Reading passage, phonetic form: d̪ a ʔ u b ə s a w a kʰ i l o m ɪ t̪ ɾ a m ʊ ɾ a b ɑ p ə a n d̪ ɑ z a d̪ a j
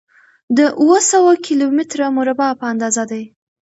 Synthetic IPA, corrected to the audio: d̪ ə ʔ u w ə s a w a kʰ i l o m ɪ t̪ ɾ a m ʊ ɾ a b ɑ p ə a n d̪ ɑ z a d̪ a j